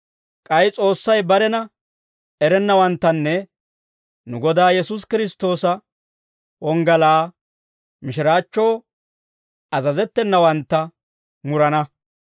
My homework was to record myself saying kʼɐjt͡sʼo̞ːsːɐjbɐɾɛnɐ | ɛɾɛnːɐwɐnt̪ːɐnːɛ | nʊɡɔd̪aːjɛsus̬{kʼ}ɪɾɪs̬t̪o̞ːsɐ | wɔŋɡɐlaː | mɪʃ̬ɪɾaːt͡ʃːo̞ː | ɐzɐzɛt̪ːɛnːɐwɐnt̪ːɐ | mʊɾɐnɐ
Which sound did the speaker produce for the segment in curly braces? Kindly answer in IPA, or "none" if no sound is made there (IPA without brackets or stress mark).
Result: k